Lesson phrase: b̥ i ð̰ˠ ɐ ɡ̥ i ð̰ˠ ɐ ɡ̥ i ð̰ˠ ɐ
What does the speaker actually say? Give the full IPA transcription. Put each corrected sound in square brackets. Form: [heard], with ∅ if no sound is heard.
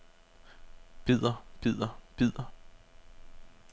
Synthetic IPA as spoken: b̥ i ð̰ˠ ɐ [b̥] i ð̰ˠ ɐ [b̥] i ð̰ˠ ɐ